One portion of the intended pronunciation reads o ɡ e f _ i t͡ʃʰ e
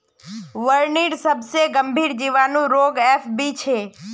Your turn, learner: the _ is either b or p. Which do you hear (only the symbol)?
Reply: b